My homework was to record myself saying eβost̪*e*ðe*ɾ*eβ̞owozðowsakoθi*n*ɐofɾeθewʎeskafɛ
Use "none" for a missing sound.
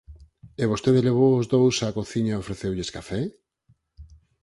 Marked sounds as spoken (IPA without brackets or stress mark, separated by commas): e, l, ɲ